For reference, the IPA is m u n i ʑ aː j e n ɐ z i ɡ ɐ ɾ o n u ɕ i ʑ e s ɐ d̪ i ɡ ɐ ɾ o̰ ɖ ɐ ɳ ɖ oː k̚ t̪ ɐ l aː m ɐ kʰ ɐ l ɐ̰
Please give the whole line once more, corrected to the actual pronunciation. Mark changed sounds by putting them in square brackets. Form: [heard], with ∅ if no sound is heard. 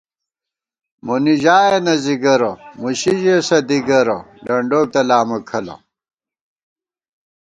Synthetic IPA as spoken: m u n i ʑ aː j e n ɐ z i ɡ ɐ ɾ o [m] u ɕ i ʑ e s ɐ d̪ i ɡ ɐ ɾ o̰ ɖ ɐ ɳ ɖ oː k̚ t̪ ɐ l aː m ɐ kʰ ɐ l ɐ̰